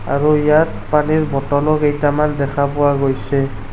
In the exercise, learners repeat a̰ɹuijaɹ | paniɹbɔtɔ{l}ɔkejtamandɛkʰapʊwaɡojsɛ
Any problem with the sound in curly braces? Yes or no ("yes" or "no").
no